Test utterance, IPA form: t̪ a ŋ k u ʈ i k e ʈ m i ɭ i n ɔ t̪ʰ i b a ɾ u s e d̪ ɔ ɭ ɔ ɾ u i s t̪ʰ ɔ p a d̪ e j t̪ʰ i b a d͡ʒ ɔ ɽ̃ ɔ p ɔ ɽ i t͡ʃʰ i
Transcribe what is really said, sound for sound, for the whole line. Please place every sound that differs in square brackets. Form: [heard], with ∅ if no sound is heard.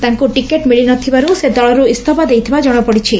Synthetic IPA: t̪ a ŋ k u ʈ i k e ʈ m i ɭ i n ɔ t̪ʰ i b a ɾ u s e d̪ ɔ ɭ ɔ ɾ u i s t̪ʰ ɔ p a d̪ e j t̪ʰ i b a d͡ʒ ɔ ɽ̃ ɔ p ɔ ɽ i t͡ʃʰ i